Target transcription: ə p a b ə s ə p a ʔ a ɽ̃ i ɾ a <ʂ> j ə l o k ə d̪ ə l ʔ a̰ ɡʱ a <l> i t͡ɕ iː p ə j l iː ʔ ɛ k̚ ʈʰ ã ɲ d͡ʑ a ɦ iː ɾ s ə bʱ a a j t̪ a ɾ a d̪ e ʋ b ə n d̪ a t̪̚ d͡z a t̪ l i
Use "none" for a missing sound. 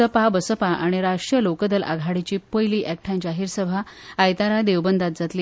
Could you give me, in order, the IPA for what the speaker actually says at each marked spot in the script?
ʂ, ɽ

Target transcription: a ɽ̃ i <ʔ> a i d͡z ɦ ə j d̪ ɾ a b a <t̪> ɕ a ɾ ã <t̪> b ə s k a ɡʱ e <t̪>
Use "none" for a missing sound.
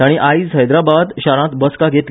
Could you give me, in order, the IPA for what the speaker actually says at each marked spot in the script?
ʔ, d̪, t̪, t̪

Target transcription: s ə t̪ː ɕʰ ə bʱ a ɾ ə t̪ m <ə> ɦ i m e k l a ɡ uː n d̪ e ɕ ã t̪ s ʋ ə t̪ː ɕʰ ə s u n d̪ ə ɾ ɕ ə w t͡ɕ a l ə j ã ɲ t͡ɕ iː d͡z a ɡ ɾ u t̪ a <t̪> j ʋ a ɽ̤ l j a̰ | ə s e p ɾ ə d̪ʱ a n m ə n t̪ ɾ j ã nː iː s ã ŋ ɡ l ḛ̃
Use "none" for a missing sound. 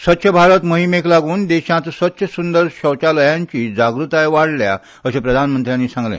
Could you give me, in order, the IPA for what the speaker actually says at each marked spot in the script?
ə, none

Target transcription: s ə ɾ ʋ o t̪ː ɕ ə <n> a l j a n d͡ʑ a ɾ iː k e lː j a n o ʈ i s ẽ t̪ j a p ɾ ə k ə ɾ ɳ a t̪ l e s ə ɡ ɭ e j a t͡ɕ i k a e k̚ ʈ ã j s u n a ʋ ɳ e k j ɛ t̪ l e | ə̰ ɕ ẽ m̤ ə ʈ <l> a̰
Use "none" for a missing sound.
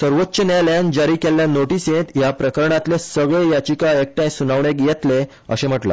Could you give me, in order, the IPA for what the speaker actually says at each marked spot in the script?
n, l

